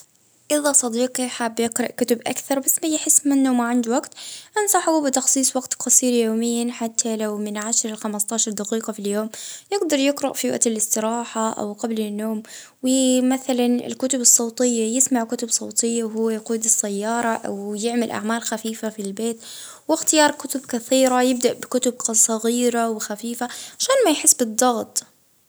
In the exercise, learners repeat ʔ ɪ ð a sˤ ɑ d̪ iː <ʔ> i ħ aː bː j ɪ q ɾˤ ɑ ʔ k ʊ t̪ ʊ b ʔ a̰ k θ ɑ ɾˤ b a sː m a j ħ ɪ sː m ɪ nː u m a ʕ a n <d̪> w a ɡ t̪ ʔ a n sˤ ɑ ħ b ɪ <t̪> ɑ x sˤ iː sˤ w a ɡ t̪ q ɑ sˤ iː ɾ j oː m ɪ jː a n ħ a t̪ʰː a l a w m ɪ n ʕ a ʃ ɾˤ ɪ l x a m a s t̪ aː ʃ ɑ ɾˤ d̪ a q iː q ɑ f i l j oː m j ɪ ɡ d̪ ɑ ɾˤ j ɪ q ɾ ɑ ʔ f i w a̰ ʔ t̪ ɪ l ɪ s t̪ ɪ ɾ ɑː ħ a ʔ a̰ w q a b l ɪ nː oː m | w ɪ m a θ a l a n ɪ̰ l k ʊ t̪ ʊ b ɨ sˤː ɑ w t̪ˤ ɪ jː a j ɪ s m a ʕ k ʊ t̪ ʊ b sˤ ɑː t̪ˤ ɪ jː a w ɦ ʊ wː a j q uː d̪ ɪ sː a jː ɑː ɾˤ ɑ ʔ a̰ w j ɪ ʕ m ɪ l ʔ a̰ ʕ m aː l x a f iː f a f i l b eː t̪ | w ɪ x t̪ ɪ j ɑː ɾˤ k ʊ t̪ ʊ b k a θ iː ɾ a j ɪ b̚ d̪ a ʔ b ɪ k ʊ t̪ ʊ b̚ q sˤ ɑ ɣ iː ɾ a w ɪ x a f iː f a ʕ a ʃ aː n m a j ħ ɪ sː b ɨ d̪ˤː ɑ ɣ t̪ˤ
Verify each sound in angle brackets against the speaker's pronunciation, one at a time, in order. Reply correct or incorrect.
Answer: incorrect: q, correct, correct

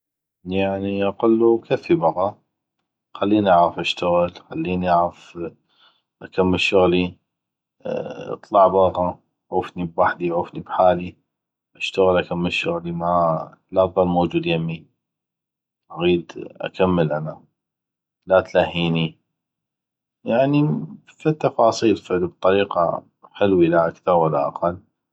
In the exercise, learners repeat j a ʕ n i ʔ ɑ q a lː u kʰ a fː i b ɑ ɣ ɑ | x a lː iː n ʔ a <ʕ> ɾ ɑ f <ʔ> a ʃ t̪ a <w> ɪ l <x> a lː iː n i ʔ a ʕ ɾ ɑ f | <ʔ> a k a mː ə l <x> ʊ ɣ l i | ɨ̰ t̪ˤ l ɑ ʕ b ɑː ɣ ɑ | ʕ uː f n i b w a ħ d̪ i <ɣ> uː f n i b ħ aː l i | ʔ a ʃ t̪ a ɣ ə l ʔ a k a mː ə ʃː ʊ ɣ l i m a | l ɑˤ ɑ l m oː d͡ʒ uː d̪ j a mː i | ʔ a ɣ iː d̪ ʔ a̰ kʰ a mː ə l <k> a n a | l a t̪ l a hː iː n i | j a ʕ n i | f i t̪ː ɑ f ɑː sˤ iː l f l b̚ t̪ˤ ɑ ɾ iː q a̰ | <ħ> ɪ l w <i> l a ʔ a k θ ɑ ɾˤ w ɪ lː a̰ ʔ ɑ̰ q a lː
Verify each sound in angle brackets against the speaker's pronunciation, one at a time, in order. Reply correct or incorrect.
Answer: correct, correct, incorrect: ɣ, correct, correct, incorrect: ʃ, incorrect: ʕ, incorrect: ʔ, correct, correct

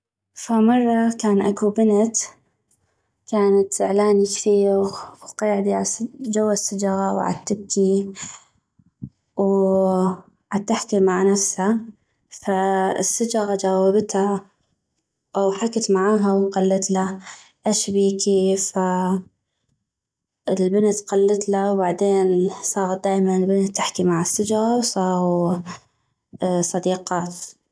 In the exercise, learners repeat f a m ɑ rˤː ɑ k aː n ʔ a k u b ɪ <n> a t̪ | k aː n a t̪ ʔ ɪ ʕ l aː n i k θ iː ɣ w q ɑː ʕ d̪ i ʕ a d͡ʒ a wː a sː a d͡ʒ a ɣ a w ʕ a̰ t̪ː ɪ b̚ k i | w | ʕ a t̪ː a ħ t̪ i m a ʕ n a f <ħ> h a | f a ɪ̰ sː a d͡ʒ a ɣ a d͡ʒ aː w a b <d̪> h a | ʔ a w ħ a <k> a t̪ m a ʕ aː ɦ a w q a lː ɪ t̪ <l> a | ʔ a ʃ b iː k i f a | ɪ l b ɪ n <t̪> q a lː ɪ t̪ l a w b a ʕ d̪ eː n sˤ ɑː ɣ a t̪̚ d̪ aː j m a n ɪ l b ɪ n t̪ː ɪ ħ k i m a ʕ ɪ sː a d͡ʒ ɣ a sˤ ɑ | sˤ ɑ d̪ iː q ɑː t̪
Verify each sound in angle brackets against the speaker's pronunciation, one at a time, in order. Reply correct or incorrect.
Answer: correct, incorrect: s, incorrect: t̪, correct, correct, correct

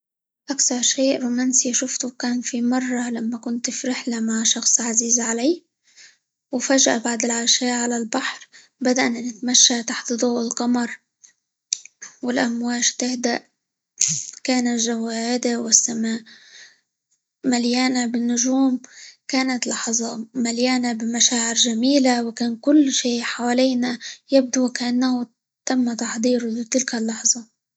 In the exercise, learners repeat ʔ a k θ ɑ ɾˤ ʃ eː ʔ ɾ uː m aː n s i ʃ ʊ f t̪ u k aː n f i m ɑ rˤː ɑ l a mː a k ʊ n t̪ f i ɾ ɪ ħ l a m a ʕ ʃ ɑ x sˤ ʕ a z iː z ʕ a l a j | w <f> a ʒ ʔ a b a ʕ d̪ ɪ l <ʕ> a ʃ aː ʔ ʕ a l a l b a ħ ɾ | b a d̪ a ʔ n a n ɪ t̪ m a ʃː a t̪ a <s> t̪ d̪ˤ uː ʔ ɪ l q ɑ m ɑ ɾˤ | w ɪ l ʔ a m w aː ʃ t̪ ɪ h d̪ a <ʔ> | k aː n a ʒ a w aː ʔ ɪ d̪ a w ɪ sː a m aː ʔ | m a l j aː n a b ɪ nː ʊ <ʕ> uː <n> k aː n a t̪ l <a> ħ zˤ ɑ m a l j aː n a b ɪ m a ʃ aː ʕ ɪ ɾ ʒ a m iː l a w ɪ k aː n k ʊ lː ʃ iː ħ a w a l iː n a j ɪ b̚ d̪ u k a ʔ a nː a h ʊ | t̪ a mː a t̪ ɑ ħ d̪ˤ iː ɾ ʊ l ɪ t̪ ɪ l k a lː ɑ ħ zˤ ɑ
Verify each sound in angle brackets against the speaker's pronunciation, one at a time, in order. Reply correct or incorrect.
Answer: correct, correct, incorrect: ħ, correct, incorrect: ʒ, incorrect: m, incorrect: ɑ

